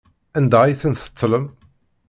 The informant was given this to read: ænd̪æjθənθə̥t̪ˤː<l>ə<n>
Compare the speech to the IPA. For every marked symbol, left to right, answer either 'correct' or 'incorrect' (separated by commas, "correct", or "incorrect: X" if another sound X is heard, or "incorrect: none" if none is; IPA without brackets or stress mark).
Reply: correct, incorrect: m